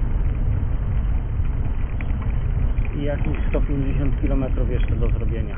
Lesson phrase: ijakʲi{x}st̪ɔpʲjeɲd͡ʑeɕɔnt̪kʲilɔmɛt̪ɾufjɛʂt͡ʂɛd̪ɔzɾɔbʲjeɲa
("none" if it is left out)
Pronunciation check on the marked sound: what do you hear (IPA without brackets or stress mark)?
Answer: ɕ